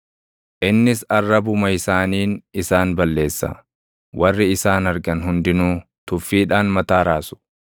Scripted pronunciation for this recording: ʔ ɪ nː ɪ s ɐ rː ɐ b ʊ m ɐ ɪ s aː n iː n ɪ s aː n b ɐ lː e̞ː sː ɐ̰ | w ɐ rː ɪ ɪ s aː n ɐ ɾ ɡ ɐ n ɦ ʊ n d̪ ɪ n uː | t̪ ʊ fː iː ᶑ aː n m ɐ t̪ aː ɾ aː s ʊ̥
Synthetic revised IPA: ʔ ɪ nː ɪ s ɐ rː ɐ b ʊ m ɐ ɪ s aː n iː n ɪ s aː n b ɐ lː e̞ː sː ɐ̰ | w ɐ rː ɪ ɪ s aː n ɐ ɾ ɡ ɐ n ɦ ʊ n d̪ ɪ n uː | t̪ ʊ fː iː ᶑ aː n m ɐ t̪ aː ɾ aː s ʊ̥